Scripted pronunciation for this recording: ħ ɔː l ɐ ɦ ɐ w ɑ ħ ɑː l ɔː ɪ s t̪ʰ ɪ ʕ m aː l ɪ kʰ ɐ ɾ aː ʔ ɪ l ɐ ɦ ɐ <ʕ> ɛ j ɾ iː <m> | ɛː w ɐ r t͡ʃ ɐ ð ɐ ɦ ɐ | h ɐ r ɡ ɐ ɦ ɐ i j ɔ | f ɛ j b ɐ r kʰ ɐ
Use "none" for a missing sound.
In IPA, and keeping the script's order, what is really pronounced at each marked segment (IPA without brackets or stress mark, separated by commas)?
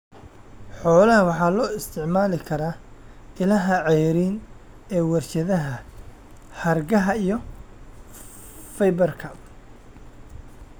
ʕ, n